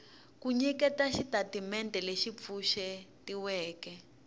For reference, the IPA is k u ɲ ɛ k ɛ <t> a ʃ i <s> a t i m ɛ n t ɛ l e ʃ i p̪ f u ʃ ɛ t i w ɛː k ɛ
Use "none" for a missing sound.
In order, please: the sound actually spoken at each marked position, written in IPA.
t, t

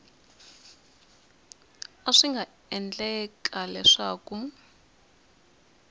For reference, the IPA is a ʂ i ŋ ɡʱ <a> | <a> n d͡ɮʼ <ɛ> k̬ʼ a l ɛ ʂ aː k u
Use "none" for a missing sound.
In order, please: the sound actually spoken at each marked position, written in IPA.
a, ɛ, ɛ

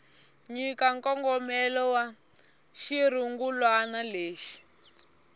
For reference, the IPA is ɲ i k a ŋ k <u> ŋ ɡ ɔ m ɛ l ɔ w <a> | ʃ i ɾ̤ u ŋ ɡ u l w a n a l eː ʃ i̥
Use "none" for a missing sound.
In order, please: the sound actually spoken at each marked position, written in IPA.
ɔ, a

